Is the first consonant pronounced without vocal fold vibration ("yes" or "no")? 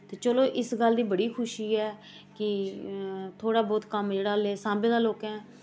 yes